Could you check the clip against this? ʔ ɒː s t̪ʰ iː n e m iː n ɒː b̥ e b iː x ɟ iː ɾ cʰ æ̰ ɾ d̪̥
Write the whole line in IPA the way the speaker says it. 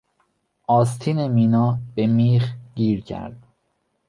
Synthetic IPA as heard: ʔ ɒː s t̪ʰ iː n e m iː n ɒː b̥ e m iː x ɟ iː ɾ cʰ æ̰ ɾ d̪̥